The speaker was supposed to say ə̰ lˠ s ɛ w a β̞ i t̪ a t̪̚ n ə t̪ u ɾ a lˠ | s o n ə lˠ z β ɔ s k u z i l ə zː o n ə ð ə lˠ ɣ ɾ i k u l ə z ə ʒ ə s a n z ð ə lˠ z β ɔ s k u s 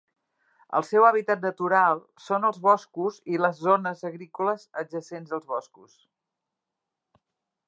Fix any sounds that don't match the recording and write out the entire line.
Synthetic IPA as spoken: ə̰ lˠ s ɛ w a β̞ i t̪ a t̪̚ n ə t̪ u ɾ a lˠ | s o n ə lˠ z β ɔ s k u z i l ə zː o n ə z ə ɣ ɾ i k u l ə z ə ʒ ə s e n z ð ə lˠ z β ɔ s k u s